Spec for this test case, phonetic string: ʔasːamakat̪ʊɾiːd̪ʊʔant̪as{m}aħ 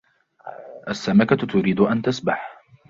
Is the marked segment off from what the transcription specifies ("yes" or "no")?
yes